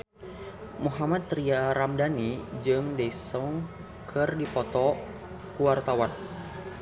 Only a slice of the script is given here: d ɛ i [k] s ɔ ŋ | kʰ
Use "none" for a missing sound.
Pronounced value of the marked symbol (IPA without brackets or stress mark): none